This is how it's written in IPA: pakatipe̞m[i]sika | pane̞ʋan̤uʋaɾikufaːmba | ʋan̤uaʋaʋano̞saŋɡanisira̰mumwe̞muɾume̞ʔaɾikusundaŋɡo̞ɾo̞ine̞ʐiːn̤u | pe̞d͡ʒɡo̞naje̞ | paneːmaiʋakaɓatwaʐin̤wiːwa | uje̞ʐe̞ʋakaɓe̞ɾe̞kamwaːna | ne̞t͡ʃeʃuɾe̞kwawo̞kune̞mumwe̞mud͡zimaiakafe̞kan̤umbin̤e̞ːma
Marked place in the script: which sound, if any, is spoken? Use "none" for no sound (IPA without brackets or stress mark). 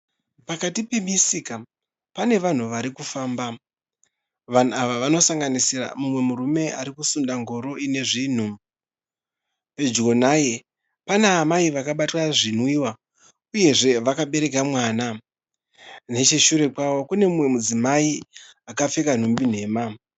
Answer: i